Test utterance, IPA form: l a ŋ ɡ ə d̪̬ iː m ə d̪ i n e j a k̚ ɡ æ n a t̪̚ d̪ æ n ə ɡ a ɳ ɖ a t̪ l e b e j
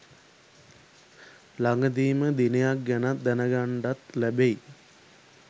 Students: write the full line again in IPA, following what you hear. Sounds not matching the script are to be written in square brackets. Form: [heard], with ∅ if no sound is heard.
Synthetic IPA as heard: l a ŋ ɡ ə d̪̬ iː m ə d̪ i n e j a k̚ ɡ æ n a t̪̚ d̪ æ n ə ɡ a ɳ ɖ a t̪ l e b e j